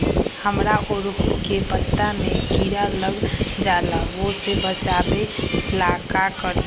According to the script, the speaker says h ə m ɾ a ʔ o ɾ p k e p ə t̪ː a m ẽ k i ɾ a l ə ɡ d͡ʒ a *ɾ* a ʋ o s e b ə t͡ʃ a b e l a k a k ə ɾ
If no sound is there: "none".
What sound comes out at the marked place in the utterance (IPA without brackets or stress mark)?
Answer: l